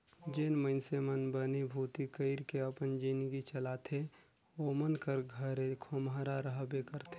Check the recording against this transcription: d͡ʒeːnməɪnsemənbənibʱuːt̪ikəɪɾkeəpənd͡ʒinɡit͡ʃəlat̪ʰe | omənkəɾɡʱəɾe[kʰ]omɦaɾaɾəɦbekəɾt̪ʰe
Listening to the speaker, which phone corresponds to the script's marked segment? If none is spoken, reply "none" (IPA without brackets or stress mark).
kʰ